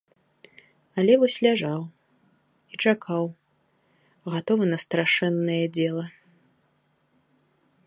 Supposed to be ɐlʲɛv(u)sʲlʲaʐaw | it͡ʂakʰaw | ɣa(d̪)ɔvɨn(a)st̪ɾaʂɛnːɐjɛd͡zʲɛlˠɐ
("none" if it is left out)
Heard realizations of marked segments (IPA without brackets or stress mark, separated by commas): ɔ, t̪, ɐ